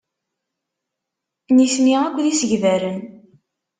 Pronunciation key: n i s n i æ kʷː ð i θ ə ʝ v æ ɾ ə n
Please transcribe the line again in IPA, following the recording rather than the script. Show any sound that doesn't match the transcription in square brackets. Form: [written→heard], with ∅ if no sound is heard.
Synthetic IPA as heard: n i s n i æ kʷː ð i [θ→s] ə ʝ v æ ɾ ə n